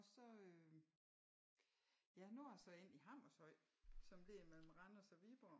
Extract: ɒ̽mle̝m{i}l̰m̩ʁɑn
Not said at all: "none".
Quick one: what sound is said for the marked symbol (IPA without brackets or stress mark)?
e